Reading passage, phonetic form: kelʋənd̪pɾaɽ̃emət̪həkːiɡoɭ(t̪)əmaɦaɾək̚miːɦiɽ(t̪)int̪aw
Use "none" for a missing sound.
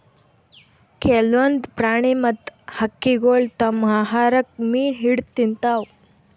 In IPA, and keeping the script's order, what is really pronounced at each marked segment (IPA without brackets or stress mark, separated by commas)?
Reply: t̪, t̪